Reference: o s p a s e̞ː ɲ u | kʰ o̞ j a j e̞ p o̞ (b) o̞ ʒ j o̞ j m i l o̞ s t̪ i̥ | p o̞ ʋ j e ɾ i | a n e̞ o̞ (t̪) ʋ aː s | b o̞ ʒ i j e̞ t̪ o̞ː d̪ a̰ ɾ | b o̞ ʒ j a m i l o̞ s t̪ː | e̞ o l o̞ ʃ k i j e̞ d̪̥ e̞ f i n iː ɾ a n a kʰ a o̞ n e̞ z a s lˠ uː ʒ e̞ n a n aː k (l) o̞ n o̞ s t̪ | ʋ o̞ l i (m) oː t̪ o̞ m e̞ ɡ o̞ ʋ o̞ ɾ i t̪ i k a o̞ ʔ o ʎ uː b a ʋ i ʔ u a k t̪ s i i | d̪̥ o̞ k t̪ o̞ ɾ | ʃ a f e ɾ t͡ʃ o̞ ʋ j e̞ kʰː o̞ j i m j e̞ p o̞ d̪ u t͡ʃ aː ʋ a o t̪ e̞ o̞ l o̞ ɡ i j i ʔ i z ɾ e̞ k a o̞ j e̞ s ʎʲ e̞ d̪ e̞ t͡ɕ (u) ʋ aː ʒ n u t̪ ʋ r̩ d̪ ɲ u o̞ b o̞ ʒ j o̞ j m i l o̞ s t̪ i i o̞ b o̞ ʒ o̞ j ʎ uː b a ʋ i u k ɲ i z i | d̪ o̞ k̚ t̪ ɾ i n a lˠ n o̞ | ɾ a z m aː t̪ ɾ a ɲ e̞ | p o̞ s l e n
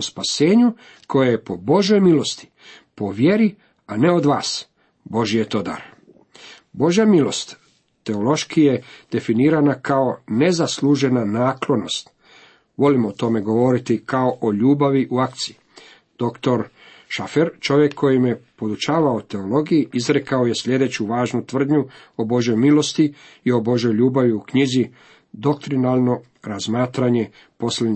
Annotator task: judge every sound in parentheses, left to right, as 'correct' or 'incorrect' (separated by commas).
correct, incorrect, correct, correct, correct